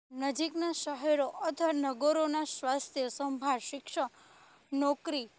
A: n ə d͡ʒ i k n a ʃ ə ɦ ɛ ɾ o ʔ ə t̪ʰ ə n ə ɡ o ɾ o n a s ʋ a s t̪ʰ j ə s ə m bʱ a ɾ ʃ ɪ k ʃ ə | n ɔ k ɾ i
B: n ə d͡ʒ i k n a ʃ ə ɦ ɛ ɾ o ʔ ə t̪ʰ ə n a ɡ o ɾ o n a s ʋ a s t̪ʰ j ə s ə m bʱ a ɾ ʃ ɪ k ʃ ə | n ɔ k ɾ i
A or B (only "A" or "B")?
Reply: A